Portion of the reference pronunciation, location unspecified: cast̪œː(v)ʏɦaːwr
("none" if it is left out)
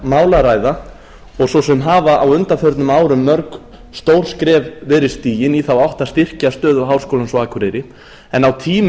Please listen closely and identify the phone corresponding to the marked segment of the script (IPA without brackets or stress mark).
ð